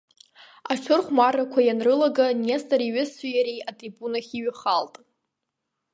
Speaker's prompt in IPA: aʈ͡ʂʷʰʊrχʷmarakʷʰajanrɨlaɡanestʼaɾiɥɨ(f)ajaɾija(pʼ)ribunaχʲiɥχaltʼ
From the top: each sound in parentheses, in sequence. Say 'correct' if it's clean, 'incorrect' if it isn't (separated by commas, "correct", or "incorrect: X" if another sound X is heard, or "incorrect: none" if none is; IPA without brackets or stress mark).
incorrect: s, incorrect: tʼ